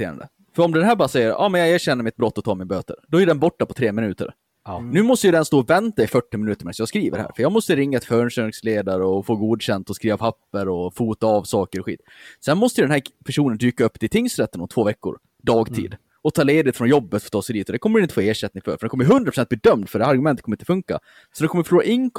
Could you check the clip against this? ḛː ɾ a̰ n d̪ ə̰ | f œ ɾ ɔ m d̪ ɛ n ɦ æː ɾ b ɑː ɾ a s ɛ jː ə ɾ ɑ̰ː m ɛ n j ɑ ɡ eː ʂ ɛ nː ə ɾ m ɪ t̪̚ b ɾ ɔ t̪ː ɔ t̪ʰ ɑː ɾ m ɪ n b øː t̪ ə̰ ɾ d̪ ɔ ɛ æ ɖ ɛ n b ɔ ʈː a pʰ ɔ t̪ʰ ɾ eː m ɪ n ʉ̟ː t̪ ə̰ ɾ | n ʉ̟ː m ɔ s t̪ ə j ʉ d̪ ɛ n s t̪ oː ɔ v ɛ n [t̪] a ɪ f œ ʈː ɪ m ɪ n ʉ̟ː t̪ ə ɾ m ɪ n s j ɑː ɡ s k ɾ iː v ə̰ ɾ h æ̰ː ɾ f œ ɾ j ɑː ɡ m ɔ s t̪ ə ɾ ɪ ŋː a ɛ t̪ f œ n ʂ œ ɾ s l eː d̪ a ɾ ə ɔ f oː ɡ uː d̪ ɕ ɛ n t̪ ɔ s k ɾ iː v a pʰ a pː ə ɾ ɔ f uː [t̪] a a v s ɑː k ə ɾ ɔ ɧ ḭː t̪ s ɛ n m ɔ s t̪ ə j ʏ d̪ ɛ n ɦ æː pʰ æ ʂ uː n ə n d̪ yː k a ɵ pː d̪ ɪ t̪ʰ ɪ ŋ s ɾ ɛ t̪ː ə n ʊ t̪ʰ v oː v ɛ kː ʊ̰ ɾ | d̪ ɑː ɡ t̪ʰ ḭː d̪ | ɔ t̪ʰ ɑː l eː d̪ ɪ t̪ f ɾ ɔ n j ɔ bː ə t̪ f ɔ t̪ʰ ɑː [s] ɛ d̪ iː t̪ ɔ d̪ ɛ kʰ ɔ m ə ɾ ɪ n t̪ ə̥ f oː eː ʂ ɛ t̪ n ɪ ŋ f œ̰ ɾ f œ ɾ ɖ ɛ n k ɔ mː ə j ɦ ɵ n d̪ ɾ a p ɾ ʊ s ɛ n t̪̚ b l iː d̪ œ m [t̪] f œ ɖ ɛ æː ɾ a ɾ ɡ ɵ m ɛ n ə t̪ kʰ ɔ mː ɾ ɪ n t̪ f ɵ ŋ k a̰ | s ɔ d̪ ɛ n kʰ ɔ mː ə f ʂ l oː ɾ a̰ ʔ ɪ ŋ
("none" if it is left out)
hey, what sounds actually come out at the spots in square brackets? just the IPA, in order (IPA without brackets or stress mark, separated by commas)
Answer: t̪, t̪, s, d̪